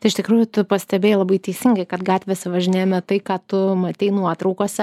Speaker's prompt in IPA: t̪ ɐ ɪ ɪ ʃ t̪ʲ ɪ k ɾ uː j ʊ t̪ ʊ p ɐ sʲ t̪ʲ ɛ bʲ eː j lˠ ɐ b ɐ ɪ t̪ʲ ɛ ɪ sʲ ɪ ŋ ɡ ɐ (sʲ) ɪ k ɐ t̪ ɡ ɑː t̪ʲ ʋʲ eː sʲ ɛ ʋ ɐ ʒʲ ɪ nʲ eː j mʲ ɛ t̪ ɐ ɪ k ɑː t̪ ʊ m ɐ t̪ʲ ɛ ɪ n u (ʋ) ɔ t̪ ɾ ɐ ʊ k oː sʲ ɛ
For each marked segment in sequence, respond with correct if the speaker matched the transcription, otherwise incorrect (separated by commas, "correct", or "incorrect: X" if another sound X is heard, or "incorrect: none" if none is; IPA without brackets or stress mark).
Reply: incorrect: none, incorrect: none